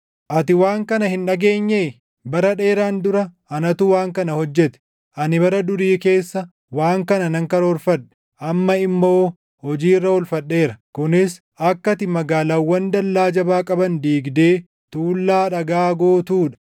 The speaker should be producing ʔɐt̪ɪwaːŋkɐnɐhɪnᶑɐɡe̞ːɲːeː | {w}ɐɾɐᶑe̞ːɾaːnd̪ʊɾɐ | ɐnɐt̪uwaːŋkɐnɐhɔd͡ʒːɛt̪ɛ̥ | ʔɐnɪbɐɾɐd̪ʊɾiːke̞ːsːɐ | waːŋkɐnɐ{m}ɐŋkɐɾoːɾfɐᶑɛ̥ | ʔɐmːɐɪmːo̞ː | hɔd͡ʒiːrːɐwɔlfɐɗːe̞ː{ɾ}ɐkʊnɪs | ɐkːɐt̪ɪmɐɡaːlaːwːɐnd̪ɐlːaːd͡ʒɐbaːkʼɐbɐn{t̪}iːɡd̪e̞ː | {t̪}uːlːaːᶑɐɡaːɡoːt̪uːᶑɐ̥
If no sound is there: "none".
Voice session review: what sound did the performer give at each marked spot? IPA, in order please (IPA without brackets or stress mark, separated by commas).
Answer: b, n, ɾ, d̪, t̪